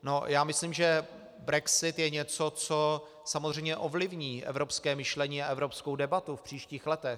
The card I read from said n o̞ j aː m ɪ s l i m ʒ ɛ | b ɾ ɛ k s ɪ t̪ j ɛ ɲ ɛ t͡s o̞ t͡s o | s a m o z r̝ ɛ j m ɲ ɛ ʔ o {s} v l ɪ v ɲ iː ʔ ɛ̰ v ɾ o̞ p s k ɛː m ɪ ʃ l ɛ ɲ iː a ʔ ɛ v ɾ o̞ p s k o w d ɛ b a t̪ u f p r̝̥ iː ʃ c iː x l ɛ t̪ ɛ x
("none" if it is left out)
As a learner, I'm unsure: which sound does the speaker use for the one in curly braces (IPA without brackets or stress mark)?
none